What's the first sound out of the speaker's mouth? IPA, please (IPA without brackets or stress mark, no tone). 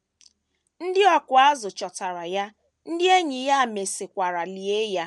n̩